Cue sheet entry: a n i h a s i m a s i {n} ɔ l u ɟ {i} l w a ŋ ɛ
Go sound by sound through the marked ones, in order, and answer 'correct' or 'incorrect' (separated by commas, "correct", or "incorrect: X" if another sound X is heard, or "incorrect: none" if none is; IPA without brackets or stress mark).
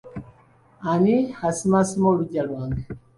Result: incorrect: m, incorrect: a